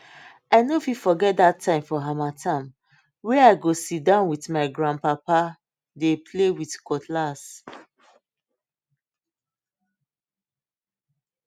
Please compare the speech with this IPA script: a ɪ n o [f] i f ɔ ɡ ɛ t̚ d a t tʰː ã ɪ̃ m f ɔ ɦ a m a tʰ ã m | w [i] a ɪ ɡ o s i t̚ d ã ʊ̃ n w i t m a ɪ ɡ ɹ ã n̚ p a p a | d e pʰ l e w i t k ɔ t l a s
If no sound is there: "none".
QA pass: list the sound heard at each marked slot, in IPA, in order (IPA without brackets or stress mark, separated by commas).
f, ɛ